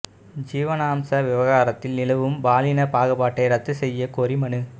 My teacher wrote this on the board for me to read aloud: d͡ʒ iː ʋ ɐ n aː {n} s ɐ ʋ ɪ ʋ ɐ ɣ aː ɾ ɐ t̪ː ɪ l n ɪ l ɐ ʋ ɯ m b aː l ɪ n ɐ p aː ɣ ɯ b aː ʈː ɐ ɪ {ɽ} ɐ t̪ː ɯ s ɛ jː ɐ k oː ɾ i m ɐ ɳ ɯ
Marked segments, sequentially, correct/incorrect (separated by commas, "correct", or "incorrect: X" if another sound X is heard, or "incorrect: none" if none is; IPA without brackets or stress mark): incorrect: m, incorrect: ɾ